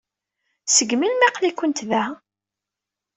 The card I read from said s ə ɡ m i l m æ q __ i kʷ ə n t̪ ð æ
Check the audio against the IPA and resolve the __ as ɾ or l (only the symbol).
l